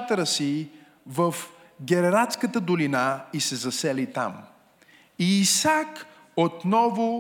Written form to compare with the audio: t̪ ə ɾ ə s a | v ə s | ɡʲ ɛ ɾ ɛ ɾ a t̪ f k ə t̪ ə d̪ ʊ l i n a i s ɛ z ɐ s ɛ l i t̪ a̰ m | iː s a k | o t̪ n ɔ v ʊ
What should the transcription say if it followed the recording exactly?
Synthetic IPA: t̪ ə ɾ ə s i | v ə f | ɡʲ ɛ ɾ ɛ ɾ a t̪ s k ə t̪ ə d̪ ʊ l i n a i s ɛ z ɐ s ɛ l i t̪ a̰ m | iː s a k | o t̪ n ɔ v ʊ